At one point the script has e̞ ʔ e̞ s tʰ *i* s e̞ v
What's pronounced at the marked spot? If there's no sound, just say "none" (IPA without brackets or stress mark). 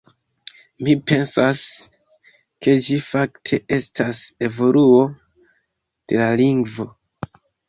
a